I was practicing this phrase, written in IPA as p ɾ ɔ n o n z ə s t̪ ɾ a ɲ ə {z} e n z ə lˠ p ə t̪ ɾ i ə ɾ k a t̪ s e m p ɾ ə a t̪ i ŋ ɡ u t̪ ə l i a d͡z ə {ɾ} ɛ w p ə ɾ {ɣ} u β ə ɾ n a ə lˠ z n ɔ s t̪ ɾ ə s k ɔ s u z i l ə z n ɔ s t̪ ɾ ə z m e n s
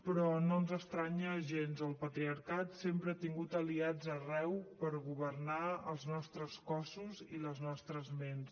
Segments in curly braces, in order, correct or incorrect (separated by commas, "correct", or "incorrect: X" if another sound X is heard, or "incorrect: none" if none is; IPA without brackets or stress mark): incorrect: ʒ, incorrect: r, correct